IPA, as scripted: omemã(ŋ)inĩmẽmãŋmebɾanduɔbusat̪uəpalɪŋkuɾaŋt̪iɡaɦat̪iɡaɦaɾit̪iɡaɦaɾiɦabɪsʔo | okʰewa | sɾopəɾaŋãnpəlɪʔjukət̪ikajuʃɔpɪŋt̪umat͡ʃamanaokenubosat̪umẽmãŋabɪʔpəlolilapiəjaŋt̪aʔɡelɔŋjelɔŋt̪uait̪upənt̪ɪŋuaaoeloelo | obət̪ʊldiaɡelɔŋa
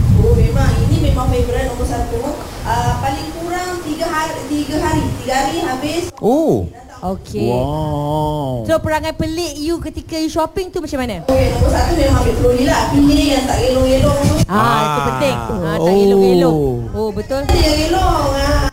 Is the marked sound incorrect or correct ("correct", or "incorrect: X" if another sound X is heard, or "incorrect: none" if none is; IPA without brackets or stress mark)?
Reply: correct